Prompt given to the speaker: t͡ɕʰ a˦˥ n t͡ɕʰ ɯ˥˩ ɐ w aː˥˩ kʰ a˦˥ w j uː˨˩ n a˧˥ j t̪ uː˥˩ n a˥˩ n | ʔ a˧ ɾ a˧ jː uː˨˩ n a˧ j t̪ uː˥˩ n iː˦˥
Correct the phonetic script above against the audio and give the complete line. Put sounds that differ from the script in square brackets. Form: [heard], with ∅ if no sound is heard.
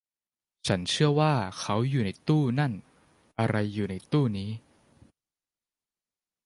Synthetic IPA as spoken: t͡ɕʰ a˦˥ n t͡ɕʰ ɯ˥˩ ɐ w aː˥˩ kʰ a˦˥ w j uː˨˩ n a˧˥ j t̪ uː˥˩ n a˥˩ n | ʔ a˧ ɾ a˧ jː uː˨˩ n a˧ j t̪ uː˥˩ n iː˦˥